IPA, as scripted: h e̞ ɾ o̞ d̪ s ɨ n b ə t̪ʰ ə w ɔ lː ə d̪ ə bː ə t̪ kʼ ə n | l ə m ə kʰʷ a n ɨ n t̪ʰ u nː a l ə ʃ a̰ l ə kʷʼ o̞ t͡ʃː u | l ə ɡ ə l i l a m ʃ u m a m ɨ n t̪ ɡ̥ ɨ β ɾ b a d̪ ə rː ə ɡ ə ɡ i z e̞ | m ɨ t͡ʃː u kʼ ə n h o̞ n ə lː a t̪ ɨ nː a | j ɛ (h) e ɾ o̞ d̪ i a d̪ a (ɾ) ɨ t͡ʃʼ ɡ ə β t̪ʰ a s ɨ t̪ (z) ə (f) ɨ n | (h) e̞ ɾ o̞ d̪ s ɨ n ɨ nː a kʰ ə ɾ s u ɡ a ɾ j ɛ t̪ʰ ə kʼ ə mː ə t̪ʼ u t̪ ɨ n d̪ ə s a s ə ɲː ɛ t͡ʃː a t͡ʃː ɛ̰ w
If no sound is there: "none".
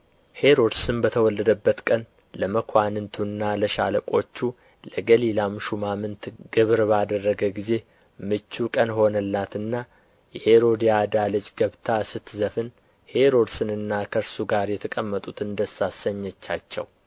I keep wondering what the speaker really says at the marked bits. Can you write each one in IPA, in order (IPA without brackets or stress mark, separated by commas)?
h, l, z, f, h